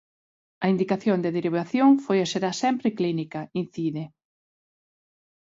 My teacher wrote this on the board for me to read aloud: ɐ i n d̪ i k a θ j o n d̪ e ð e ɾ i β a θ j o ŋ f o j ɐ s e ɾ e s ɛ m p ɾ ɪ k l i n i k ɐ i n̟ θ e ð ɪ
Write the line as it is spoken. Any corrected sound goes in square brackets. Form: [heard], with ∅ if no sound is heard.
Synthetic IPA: ɐ i n d̪ i k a θ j o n d̪ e ð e ɾ i β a θ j o ŋ f o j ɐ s e ɾ [a] s ɛ m p ɾ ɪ k l i n i k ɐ i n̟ θ [i] ð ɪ